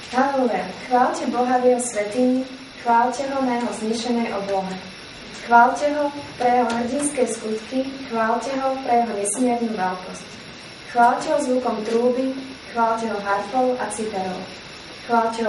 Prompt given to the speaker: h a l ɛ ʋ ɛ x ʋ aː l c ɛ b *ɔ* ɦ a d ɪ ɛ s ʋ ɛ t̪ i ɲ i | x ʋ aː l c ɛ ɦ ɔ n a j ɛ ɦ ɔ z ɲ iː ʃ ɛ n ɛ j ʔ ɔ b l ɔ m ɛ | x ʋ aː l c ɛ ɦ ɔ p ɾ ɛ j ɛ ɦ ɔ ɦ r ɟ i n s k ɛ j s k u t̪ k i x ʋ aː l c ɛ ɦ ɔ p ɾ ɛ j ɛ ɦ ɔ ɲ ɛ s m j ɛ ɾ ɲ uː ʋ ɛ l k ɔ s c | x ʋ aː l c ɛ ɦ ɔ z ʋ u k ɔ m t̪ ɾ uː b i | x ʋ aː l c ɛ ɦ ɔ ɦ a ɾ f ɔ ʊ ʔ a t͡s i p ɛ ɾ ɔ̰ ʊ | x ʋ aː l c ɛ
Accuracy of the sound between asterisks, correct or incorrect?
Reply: correct